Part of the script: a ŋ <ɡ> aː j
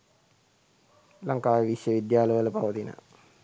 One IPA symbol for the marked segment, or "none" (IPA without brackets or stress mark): k